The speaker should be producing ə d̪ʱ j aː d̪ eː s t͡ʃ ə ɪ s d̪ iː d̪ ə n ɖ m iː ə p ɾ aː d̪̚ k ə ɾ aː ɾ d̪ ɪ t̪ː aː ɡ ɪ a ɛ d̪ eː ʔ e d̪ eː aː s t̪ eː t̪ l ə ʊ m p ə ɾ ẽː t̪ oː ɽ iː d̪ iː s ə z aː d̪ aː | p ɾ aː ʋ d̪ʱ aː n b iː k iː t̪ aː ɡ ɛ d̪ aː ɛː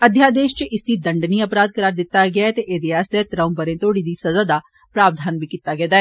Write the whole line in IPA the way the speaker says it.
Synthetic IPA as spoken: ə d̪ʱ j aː d̪ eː ʃ t͡ʃ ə ɪ s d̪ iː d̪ ə ɳ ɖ n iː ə p ɾ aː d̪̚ k ə ɾ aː ɾ d̪ ɪ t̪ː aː ɡ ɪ a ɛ t̪ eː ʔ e d̪ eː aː s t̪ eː t̪ ɾ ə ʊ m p ə ɾ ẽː t̪ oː ɽ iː d̪ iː s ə z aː d̪ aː | p ɾ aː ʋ d̪ʱ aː n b iː k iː t̪ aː ɡ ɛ d̪ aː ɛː

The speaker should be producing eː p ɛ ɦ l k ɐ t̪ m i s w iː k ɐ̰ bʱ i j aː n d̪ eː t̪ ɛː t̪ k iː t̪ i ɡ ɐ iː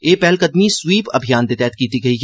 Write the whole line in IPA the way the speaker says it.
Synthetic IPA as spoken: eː p ɛ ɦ l k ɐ d̪ m i s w iː p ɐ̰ bʱ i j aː n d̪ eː t̪ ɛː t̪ k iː t̪ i ɡ ɐ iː

